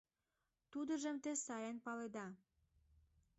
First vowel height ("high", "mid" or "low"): high